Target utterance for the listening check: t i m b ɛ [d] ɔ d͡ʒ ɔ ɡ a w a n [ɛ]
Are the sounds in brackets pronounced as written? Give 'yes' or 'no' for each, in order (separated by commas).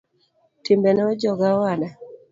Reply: no, no